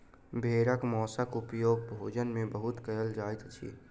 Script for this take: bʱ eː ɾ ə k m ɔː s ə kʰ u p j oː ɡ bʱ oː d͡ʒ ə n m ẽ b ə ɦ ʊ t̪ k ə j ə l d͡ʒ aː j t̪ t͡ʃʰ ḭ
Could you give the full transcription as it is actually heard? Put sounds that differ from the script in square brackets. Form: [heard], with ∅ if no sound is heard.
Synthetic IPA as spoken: bʱ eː ɾ ə k m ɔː s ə [k] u p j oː ɡ bʱ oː d͡ʒ ə n m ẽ b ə ɦ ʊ t̪ k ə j ə l d͡ʒ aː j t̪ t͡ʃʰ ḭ